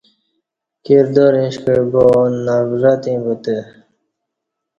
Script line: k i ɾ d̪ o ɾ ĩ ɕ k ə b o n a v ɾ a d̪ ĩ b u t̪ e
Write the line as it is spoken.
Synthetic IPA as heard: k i ɾ d̪ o ɾ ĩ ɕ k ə b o n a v ɾ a t̪ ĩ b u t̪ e